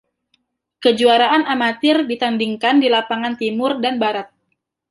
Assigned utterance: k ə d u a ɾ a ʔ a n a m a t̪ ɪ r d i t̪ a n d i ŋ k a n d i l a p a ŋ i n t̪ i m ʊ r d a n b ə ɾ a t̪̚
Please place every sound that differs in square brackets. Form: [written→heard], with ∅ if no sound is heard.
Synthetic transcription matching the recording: k ə [d→d͡ʒ] u a ɾ a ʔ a n a m a t̪ ɪ r d i t̪ a n d i ŋ k a n d i l a p a ŋ [i→a] n t̪ i m ʊ r d a n b [ə→a] ɾ a t̪̚